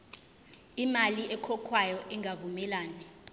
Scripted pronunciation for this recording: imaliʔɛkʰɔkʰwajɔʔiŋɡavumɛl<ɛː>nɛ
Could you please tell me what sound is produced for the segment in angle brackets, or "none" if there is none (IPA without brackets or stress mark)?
aː